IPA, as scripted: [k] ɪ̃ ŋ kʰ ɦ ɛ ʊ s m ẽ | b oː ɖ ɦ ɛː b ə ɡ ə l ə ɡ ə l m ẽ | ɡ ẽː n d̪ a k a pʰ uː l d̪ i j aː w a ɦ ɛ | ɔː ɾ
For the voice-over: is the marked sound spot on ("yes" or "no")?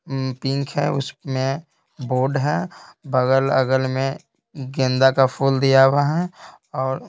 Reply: no